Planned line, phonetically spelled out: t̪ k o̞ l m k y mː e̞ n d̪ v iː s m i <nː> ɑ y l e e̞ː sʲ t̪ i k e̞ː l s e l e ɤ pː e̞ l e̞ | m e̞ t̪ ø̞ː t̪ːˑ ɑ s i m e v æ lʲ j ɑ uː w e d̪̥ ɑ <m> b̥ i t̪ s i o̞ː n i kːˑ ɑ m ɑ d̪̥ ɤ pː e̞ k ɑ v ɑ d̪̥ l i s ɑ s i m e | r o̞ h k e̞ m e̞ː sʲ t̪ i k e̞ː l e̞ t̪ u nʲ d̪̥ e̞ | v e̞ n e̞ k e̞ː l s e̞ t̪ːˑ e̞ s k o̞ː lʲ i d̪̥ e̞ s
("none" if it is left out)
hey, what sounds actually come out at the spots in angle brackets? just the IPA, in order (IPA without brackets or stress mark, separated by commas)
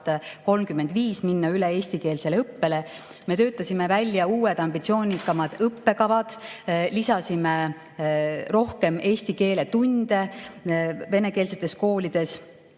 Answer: nː, m